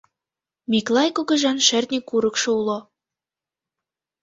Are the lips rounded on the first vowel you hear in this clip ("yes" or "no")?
no